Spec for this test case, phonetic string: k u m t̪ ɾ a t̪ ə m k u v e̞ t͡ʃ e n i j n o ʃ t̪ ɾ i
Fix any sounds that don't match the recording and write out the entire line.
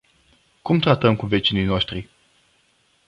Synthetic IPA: k u m t̪ ɾ a t̪ ə m k u v e̞ t͡ʃ i n i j n o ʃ t̪ ɾ i